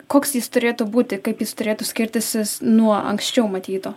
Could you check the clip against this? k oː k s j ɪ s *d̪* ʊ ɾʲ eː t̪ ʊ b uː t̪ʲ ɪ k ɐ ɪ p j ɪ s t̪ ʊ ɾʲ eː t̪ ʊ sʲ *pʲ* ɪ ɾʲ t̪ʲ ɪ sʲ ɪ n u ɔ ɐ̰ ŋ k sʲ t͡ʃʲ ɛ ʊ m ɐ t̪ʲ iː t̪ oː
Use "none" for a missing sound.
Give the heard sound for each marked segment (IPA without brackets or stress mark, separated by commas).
t̪, kʲ